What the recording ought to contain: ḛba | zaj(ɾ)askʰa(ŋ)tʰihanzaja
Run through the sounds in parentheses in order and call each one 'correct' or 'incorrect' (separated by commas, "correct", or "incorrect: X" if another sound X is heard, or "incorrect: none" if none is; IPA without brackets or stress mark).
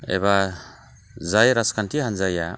correct, incorrect: n